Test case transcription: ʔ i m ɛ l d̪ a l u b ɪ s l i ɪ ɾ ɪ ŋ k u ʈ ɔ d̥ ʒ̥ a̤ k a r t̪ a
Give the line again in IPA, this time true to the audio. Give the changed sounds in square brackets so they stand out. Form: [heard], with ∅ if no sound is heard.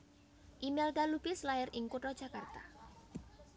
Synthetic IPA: ʔ i m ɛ l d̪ a l u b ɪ s l [a] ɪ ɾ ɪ ŋ k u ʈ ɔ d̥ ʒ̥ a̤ k a r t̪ a